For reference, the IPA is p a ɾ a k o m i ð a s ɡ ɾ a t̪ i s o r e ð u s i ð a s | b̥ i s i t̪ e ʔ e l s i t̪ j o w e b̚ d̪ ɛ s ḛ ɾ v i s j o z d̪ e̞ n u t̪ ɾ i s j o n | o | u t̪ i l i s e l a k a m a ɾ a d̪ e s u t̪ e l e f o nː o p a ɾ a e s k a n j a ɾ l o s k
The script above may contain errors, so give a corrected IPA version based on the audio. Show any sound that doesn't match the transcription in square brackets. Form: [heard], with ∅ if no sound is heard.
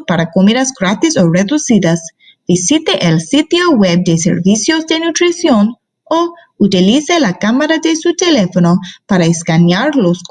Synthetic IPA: p a ɾ a k o m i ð a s ɡ ɾ a t̪ i s o r e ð u s i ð a s | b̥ i s i t̪ e ʔ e l s i t̪ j o w e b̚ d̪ [e] s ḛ ɾ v i s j o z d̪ e̞ n u t̪ ɾ i s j o n | o | u t̪ i l i s e l a k a m a ɾ a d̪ e s u t̪ e l e f o [n] o p a ɾ a e s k a n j a ɾ l o s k